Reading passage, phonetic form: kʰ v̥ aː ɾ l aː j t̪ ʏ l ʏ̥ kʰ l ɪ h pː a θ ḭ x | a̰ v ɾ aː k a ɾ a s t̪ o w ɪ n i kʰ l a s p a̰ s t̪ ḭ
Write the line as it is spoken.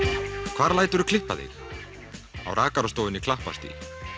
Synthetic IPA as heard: kʰ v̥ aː ɾ l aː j t̪ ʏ ɾ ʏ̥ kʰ l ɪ h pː a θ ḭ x | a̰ w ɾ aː k a ɾ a s t̪ o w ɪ n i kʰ l a h p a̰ s t̪ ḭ